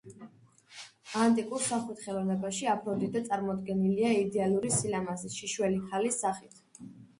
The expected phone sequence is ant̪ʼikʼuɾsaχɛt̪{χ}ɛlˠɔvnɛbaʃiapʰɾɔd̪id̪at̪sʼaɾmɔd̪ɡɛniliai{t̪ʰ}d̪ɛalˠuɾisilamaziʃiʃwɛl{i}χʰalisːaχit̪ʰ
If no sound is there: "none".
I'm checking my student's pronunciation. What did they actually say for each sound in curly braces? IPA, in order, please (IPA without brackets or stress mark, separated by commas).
χ, none, i